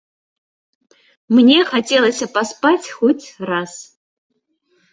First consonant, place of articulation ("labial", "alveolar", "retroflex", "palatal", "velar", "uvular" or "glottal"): labial